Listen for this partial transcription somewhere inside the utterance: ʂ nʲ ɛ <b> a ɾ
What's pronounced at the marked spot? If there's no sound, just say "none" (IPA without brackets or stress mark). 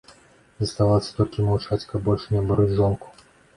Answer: b